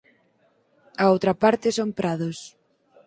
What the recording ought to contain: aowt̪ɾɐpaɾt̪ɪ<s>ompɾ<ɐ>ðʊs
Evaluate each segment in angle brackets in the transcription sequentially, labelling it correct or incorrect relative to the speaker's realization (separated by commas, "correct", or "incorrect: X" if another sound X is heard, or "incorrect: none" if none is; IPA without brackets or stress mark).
correct, incorrect: a